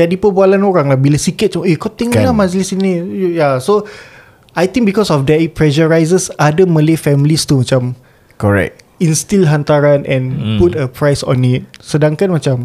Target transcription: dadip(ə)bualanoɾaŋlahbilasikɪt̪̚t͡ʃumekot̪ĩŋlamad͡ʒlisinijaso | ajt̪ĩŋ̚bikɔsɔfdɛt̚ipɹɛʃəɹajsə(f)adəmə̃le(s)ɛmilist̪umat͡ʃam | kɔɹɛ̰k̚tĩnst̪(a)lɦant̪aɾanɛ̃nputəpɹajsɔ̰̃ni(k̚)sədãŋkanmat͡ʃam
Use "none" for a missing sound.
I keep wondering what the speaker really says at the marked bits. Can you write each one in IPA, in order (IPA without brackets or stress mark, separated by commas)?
ə, s, f, i, t̚